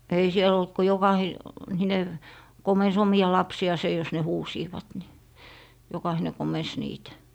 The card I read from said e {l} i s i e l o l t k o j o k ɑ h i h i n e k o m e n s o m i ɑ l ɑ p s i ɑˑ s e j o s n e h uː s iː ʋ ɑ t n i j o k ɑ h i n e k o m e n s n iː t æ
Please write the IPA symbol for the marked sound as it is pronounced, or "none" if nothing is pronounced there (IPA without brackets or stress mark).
none